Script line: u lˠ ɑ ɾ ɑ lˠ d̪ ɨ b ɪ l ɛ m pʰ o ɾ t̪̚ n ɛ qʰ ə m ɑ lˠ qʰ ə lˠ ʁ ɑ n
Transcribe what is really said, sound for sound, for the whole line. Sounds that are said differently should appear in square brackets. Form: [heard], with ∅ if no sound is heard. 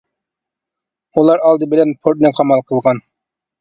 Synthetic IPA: u lˠ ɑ ɾ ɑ lˠ d̪ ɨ b ɪ l ɛ [n] pʰ o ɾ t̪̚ n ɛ qʰ [ɑ] m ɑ lˠ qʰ ə lˠ ʁ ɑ n